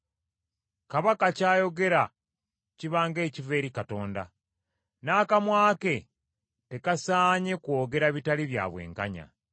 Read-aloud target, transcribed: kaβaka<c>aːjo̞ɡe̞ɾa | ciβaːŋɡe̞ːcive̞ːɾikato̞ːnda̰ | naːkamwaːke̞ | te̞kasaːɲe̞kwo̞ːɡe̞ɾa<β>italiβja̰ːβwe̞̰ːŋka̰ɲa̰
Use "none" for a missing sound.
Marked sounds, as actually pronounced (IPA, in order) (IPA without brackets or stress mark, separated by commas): c, β